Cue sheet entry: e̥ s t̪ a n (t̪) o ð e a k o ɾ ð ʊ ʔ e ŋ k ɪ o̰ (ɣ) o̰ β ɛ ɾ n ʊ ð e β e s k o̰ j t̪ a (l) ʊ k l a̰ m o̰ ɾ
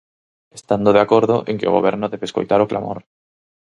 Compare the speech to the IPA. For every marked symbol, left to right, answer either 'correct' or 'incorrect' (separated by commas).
incorrect, correct, incorrect